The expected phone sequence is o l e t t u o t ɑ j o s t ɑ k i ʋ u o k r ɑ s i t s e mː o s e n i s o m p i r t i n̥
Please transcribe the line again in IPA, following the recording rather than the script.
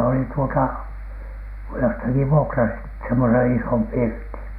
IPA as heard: o l i t t u o t ɑ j o s t ɑ k i ʋ u o k r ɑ s i t s e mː o s e n i s o m p i r t i n̥